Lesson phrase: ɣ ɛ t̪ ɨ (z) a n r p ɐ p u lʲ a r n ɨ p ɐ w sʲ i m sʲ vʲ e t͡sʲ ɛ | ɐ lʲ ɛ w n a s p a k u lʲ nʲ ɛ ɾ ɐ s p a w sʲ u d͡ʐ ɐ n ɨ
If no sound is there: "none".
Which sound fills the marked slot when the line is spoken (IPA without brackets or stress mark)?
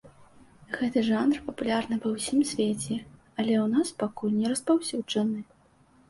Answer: ʐ